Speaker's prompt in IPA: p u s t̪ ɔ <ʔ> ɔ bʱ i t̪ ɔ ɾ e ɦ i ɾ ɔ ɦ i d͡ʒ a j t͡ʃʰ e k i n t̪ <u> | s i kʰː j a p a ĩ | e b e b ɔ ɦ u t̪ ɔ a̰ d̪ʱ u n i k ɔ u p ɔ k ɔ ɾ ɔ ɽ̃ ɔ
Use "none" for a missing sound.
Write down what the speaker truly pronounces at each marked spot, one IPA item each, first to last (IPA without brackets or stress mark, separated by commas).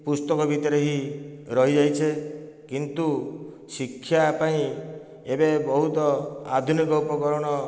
k, u